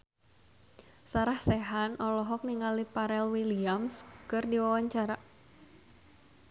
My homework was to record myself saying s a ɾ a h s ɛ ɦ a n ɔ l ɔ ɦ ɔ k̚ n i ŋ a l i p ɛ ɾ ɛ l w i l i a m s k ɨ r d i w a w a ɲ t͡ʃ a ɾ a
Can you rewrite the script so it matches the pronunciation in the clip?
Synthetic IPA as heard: s a ɾ a h s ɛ ɦ a n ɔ l ɔ ɦ ɔ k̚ n i ŋ a l i p a ɾ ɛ l w i l i a m s k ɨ r d i w a w a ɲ t͡ʃ a ɾ a